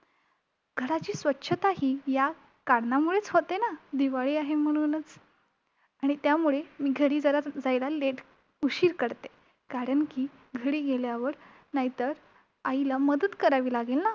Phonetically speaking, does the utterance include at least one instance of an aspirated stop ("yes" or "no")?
no